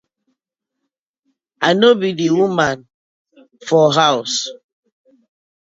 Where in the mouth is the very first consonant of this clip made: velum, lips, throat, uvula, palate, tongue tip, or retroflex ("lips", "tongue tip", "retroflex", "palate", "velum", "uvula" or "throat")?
tongue tip